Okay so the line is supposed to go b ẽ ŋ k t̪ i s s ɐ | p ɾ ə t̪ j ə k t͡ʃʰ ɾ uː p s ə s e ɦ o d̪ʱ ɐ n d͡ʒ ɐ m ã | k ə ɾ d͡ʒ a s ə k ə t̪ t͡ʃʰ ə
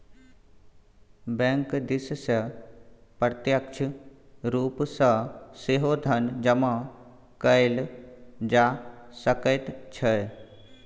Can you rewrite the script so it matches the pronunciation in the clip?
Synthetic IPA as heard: b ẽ ŋ k d̪ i s s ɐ | p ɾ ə t̪ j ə k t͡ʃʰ ɾ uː p s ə s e ɦ o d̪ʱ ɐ n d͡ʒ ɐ m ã | k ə l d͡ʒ a s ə k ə t̪ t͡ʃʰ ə